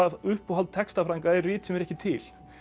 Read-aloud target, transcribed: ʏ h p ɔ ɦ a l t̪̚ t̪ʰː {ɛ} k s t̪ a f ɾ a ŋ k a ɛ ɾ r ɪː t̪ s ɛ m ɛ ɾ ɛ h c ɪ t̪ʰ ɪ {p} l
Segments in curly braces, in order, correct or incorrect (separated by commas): correct, incorrect